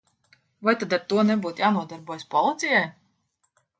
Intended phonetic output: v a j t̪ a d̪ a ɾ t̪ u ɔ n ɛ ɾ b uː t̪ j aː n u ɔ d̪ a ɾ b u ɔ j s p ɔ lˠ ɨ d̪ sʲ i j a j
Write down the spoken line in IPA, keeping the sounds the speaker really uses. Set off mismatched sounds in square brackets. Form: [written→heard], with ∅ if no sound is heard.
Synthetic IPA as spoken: v a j t̪ a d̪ a ɾ t̪ u ɔ n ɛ [ɾ→∅] b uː t̪ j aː n u ɔ d̪ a ɾ b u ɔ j s p ɔ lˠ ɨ [d̪→t̪] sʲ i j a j